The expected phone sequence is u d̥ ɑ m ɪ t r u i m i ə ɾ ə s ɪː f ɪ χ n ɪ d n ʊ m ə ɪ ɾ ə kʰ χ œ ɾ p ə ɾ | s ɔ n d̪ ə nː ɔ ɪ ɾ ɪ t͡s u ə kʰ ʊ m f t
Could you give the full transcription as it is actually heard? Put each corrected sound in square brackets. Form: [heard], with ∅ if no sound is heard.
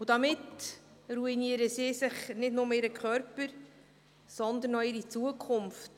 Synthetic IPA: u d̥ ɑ m ɪ t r u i [n] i ə ɾ ə s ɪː [s] ɪ χ n ɪ d n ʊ m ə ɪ ɾ ə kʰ χ œ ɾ p ə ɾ | s ɔ n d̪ ə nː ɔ ɪ ɾ [i] t͡s u ə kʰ ʊ m f t